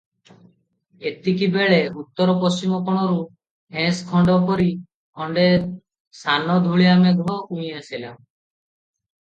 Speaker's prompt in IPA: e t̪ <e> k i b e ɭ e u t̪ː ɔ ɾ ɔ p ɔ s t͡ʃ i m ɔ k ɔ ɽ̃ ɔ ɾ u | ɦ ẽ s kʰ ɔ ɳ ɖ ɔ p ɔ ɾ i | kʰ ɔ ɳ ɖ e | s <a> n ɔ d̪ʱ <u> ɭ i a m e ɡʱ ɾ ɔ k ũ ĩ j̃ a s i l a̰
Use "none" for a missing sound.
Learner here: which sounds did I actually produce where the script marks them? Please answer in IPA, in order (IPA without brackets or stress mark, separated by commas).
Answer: i, a, u